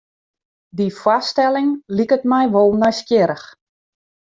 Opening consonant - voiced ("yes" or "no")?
yes